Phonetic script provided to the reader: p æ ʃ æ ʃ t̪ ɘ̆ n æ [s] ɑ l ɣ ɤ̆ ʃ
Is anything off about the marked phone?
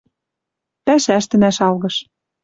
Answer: yes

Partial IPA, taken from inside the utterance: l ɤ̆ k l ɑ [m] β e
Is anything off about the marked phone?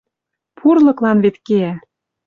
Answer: yes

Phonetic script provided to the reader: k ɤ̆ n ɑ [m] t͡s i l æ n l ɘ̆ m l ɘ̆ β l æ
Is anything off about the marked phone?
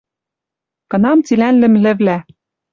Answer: no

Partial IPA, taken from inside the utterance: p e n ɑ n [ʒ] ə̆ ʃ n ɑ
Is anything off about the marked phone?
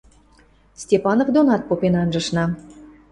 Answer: no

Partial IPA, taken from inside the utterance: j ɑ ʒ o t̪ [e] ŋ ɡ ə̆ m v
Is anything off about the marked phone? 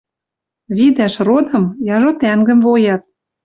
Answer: yes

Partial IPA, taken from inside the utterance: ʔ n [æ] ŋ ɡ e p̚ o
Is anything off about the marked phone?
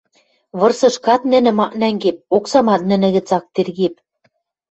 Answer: no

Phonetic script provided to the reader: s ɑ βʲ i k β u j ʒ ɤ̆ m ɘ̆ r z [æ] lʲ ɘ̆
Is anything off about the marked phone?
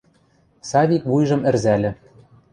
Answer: no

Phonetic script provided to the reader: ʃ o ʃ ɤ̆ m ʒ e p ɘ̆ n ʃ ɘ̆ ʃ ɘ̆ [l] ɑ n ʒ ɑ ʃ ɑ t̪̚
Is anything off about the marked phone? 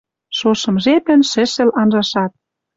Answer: no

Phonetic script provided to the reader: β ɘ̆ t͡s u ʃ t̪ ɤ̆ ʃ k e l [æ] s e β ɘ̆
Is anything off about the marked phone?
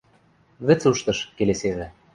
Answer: yes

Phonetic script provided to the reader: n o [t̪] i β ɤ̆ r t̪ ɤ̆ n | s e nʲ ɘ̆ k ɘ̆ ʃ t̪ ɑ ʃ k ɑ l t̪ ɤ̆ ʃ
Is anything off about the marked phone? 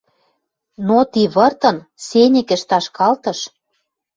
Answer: no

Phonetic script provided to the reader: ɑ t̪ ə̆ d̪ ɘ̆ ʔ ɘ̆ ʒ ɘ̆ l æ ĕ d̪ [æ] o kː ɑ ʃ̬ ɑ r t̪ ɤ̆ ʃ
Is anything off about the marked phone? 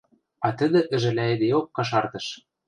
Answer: yes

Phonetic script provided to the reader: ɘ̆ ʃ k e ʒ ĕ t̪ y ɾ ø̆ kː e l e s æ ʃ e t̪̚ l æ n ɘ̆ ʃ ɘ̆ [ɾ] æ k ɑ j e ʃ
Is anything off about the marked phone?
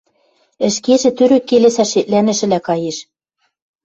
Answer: yes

